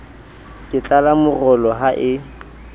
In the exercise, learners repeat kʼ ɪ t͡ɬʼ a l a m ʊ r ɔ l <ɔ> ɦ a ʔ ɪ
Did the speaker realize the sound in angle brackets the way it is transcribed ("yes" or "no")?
yes